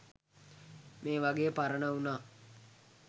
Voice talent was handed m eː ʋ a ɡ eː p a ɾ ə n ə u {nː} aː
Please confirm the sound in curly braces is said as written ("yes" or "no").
no